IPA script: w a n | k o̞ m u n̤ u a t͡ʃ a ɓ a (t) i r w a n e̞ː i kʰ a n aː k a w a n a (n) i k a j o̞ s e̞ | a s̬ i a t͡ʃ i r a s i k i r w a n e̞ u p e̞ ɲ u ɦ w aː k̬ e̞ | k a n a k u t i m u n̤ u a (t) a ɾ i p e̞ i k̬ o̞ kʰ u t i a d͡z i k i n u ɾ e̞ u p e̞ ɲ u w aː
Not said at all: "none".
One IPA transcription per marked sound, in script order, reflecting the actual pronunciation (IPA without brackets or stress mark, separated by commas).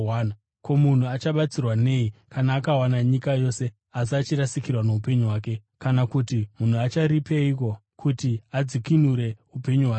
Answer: t͡s, ɲ, t͡ʃ